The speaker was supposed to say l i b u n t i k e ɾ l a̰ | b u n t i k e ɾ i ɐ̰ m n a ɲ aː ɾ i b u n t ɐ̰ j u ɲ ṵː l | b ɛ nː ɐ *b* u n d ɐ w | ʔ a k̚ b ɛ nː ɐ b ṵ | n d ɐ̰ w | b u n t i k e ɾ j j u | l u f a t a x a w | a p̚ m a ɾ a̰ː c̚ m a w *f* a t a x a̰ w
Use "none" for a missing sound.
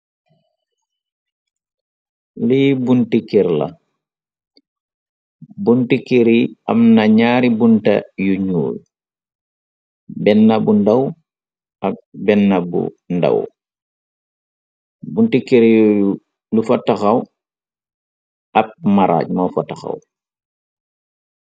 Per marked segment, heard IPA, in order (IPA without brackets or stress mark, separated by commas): b, f